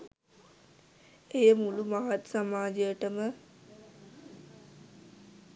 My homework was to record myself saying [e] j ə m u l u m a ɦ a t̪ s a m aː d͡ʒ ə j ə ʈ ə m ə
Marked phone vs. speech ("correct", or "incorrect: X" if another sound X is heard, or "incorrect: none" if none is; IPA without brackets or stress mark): correct